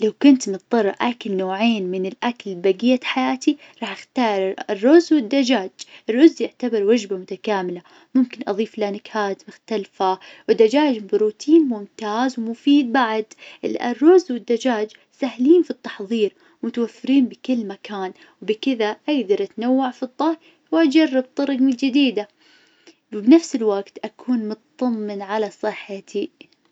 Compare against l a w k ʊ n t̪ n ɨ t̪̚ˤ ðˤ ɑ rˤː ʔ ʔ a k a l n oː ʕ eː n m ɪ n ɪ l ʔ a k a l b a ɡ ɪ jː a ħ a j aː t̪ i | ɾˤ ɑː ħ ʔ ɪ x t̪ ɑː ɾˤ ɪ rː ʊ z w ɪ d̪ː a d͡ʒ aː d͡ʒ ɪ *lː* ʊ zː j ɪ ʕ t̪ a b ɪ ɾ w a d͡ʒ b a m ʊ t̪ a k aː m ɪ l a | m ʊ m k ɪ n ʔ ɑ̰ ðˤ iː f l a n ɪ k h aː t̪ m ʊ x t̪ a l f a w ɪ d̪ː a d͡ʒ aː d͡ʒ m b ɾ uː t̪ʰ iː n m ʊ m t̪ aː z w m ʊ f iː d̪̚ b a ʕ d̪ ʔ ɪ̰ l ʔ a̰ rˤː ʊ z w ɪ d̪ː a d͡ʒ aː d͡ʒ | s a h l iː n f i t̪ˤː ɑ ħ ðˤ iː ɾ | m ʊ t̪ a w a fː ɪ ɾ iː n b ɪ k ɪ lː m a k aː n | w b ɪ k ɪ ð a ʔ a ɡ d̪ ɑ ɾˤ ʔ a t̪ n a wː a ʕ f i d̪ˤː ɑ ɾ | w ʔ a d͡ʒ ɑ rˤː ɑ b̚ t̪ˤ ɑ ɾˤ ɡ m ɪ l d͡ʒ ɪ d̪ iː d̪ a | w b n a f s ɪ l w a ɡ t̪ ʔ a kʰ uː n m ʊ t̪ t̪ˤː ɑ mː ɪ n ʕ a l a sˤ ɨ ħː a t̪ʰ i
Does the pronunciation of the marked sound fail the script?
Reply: yes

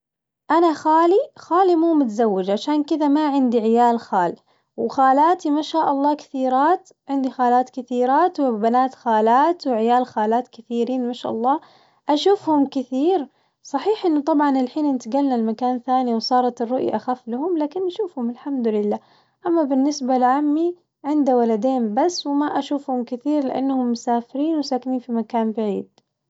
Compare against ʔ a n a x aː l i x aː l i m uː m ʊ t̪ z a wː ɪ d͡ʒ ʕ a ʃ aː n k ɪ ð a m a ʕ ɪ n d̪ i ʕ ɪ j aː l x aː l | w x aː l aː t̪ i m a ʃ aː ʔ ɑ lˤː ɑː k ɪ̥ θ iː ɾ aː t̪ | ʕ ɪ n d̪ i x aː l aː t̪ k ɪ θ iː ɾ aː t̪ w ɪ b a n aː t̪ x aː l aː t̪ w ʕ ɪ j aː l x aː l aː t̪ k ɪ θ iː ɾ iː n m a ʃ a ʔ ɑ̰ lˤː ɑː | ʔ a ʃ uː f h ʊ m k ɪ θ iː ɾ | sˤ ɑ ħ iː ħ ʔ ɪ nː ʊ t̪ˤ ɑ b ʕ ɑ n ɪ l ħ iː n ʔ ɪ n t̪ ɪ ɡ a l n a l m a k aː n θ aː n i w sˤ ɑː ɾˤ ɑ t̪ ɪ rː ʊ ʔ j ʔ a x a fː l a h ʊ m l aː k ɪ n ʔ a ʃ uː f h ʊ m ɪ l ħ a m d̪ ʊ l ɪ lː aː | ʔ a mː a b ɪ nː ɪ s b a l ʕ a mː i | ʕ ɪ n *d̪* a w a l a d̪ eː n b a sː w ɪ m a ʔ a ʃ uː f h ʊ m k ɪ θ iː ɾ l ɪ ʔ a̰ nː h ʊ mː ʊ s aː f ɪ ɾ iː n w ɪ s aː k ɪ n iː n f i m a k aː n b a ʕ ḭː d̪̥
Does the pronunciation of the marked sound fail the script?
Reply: no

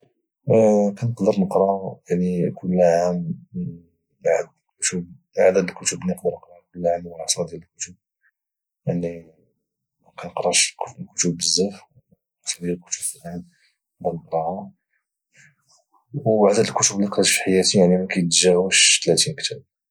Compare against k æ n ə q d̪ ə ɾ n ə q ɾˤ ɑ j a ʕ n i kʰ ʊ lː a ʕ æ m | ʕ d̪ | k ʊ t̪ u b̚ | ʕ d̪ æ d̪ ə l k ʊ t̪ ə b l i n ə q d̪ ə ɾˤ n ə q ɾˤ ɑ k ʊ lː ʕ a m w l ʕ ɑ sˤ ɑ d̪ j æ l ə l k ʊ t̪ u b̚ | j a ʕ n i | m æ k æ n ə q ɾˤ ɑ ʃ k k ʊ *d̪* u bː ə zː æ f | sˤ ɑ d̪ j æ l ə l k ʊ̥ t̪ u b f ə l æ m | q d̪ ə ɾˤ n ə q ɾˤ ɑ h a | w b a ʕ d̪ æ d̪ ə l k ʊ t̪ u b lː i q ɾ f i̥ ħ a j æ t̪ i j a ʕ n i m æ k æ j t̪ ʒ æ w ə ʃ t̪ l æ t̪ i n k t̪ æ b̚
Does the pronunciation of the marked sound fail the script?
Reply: yes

